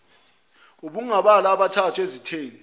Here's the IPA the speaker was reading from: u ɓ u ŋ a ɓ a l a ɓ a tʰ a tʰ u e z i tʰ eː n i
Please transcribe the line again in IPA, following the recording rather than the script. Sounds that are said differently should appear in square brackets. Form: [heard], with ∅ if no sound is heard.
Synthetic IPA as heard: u ɓ u ŋ a ɓ a l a ɓ a tʰ a tʰ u e z i tʰ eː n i